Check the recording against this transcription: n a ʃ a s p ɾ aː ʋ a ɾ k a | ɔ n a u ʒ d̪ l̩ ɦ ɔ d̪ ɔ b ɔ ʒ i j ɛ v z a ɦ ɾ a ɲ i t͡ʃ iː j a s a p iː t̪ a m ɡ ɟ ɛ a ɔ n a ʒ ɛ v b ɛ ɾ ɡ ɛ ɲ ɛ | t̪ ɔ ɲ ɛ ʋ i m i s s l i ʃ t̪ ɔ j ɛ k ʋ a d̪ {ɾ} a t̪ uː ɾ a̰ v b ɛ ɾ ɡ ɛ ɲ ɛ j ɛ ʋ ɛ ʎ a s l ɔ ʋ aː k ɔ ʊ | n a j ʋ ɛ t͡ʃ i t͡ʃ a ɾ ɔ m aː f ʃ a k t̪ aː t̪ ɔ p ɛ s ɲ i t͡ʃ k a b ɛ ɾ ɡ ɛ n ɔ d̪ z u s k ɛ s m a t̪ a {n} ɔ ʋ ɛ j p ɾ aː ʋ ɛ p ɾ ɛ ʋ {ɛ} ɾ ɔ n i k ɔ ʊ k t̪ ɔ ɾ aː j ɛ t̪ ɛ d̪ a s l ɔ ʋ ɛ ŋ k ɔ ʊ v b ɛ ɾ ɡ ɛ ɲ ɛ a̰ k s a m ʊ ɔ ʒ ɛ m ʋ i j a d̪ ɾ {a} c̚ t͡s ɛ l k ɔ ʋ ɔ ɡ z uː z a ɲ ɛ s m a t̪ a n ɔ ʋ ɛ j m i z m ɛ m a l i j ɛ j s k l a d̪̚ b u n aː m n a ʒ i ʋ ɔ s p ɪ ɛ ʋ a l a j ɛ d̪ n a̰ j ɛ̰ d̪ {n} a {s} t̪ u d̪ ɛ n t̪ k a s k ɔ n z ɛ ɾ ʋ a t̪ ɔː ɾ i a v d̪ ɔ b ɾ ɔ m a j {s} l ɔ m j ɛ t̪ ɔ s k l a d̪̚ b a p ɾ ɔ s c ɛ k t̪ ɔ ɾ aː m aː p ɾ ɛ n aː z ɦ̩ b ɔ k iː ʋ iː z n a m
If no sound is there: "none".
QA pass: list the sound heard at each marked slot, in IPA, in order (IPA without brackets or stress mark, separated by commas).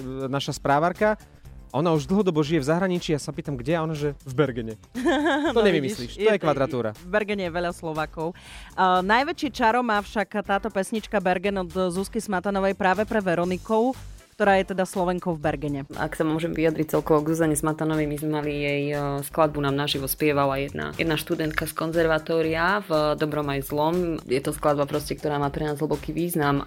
ɾ, n, ɛ, i, n, ʃ, z